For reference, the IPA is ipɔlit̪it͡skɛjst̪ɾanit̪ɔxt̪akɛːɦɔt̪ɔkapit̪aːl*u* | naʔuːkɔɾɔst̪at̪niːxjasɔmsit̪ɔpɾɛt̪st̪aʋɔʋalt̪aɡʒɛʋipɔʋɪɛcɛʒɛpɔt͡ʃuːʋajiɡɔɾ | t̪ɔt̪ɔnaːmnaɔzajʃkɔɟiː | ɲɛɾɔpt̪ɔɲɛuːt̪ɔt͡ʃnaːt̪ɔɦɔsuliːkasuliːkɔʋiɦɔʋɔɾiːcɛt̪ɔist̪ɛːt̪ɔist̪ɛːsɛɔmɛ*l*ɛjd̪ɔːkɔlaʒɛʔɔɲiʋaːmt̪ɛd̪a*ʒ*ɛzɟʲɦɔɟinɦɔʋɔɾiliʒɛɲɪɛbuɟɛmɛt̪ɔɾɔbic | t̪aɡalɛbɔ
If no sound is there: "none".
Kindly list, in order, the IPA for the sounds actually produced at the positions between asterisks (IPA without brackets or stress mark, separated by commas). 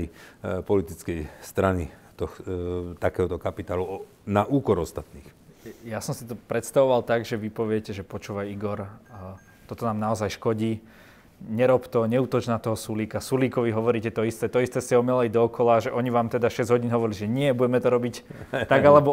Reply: u, l, ʃ